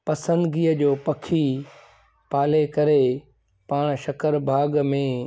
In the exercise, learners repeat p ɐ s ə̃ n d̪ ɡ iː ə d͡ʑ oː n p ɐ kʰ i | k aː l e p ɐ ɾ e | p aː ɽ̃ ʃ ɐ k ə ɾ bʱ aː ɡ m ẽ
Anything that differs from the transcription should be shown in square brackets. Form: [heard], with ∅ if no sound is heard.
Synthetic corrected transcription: p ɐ s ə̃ n d̪ ɡ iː ə d͡ʑ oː [∅] p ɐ kʰ i | [p] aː l e [k] ɐ ɾ e | p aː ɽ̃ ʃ ɐ k ə ɾ bʱ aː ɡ m ẽ

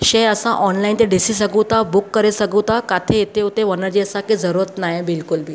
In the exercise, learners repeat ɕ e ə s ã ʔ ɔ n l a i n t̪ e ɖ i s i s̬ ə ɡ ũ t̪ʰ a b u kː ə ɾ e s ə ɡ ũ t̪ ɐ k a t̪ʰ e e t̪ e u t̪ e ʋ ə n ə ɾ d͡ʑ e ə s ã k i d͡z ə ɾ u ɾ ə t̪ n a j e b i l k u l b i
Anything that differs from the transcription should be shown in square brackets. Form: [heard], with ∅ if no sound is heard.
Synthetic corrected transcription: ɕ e ə s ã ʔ ɔ n l a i n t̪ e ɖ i s i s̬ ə ɡ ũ [t̪] a b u kː ə ɾ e s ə ɡ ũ t̪ [a] k a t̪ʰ e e t̪ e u t̪ e ʋ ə n ə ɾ d͡ʑ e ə s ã k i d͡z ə ɾ u ɾ ə t̪ n a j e b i l k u l b i

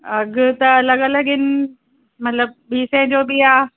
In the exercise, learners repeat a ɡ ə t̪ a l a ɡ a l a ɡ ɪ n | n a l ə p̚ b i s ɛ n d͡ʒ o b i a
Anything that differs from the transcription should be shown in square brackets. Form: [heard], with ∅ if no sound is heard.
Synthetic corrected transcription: a ɡ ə t̪ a l a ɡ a l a ɡ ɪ n | [m] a l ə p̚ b i s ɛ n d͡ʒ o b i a

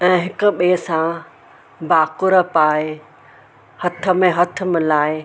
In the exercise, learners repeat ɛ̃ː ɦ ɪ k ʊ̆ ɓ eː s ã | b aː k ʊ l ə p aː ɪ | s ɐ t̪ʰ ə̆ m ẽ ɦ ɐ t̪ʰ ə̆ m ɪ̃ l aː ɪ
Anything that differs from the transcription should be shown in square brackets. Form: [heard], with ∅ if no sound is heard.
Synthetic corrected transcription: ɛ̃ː ɦ ɪ k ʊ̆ ɓ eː s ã | b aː k ʊ [ɾ] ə p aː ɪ | [h] ɐ t̪ʰ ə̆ m ẽ ɦ ɐ t̪ʰ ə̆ m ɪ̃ l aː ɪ

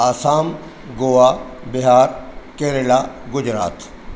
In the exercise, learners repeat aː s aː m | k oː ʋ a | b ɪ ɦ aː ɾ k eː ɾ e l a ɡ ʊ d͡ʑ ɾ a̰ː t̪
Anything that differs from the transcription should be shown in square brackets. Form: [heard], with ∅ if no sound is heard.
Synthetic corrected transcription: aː s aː m | [ɡ] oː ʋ a | b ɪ ɦ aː ɾ k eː ɾ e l a ɡ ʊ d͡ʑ ɾ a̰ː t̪

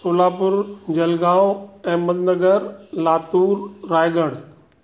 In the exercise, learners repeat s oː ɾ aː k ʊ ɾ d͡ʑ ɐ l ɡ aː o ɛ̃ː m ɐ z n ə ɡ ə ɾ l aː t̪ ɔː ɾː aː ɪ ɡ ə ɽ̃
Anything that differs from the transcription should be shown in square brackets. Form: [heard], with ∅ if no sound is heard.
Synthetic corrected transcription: s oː [l] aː [p] ʊ ɾ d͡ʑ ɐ l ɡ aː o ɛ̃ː m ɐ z n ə ɡ ə ɾ l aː t̪ [uː] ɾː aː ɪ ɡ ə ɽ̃

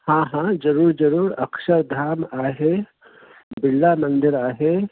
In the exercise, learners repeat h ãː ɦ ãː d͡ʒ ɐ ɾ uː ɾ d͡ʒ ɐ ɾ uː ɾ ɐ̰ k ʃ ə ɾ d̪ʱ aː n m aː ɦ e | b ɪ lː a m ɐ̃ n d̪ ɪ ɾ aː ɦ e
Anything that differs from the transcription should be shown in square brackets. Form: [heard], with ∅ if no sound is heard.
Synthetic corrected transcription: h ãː ɦ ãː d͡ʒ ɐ ɾ uː ɾ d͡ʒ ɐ ɾ uː ɾ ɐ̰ k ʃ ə ɾ d̪ʱ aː [∅] m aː ɦ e | b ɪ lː a m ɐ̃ n d̪ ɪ ɾ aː ɦ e

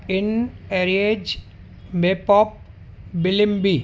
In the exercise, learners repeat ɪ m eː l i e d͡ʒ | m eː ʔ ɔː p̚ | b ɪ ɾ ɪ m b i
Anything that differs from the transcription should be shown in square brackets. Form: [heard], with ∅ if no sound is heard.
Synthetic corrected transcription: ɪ [n] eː [ɾ] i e d͡ʒ | m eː [p] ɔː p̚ | b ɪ [l] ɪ m b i

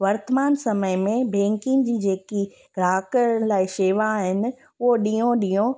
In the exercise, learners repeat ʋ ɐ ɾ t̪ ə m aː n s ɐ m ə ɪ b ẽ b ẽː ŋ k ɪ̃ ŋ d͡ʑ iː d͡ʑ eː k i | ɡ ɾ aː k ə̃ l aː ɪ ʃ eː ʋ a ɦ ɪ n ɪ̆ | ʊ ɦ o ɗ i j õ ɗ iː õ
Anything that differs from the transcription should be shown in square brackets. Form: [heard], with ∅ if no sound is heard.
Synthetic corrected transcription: ʋ ɐ ɾ t̪ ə m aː n s ɐ m ə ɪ [m] ẽ b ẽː ŋ k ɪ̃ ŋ d͡ʑ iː d͡ʑ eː k i | ɡ ɾ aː k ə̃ l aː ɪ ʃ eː ʋ a ɦ ɪ n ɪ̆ | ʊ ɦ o ɗ i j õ ɗ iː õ

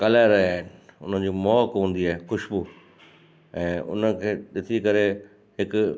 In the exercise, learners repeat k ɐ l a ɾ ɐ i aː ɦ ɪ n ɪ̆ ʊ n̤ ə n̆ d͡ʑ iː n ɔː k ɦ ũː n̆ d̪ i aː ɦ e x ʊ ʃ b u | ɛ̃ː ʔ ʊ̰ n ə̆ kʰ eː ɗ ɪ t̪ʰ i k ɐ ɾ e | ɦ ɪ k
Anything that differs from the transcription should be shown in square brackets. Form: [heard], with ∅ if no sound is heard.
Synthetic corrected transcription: k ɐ l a ɾ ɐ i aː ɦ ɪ n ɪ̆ ʊ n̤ ə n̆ d͡ʑ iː [m] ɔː k ɦ ũː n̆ d̪ i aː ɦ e x ʊ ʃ b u | ɛ̃ː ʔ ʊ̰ n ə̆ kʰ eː ɗ ɪ t̪ʰ i k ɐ ɾ e | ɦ ɪ k

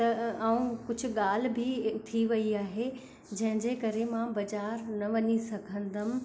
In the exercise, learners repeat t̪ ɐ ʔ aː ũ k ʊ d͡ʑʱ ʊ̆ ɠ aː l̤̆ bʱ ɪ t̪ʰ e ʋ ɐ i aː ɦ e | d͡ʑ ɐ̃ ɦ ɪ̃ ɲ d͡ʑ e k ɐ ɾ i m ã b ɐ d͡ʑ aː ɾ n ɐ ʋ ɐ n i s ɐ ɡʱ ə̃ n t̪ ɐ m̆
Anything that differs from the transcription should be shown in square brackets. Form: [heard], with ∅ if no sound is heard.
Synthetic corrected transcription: t̪ ɐ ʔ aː ũ k ʊ d͡ʑʱ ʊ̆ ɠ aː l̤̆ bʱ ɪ t̪ʰ [i] ʋ ɐ i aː ɦ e | d͡ʑ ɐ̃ ɦ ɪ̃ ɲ d͡ʑ e k ɐ ɾ [e] m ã b ɐ d͡ʑ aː ɾ n ɐ ʋ ɐ [ɲ] i s ɐ ɡʱ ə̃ n [d̪] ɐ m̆

